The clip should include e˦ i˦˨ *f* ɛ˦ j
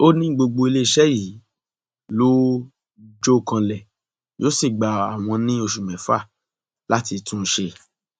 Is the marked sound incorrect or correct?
incorrect